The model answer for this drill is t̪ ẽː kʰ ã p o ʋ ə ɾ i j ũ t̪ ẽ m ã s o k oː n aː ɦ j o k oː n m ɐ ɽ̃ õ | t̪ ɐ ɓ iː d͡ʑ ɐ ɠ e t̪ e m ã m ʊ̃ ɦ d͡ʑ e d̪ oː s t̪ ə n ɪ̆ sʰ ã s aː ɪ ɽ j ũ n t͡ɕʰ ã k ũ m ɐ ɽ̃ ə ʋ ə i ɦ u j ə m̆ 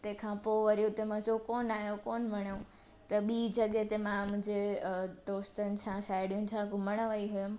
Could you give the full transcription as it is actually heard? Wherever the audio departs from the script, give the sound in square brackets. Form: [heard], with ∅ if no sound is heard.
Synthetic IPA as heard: t̪ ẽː kʰ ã p o ʋ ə ɾ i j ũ t̪ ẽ m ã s o k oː n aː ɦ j o k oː n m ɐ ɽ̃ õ | t̪ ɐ ɓ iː d͡ʑ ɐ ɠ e t̪ e m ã m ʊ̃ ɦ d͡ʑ e d̪ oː s t̪ ə n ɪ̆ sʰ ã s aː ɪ ɽ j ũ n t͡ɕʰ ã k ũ m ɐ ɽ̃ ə ʋ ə i ɦ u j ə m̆